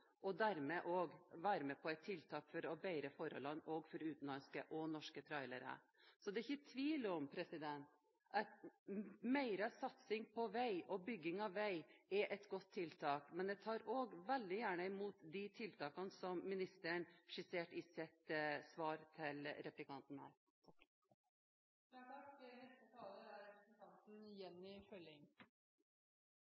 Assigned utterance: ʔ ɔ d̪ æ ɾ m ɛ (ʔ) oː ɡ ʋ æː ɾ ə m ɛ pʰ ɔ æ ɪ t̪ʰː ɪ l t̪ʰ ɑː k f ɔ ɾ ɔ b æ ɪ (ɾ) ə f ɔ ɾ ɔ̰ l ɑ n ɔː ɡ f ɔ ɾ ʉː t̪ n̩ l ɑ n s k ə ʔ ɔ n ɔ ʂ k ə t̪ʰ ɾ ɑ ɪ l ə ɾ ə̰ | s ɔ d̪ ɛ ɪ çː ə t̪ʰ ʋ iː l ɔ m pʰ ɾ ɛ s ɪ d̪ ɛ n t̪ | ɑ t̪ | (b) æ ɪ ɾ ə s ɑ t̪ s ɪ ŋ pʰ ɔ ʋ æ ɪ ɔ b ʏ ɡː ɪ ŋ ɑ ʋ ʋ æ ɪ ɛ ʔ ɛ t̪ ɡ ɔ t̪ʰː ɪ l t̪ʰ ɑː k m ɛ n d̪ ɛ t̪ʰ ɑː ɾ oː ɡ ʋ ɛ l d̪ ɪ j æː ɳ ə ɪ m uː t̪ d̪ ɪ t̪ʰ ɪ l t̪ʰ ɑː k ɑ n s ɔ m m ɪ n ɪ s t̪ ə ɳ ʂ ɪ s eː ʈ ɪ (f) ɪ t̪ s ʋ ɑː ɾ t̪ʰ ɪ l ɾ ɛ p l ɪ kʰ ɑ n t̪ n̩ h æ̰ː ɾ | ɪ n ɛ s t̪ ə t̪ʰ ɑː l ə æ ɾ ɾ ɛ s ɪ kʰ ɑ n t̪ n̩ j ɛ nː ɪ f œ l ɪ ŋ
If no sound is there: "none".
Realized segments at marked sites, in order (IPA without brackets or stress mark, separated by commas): ʔ, ɾ, m, s